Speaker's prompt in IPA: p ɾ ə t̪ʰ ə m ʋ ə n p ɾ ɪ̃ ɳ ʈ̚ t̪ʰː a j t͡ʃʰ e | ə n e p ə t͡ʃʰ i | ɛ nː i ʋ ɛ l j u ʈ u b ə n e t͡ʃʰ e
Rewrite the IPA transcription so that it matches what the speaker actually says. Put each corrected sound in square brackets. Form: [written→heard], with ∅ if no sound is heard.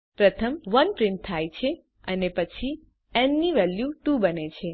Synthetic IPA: p ɾ ə t̪ʰ ə m ʋ ə n p ɾ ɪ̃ ɳ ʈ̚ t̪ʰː a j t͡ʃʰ e | ə n e p ə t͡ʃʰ i | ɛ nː i ʋ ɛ l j u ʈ u b ə n e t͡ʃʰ e